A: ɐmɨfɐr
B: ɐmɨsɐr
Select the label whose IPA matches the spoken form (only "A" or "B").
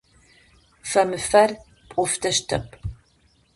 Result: A